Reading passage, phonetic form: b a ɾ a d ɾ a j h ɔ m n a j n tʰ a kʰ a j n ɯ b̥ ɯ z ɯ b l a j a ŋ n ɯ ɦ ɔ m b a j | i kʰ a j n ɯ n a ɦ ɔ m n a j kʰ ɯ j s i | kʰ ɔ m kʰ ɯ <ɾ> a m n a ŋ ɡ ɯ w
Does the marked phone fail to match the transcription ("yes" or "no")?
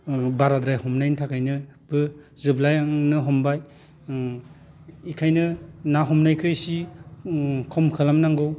yes